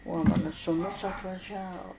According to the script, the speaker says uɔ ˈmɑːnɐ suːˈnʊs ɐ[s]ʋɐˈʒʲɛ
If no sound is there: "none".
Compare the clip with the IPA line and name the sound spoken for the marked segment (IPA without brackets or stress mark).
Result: t